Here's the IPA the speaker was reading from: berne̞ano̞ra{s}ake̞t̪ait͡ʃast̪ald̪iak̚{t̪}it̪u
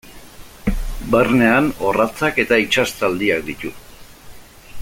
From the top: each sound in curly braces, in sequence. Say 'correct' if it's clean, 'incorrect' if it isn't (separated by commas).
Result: incorrect, incorrect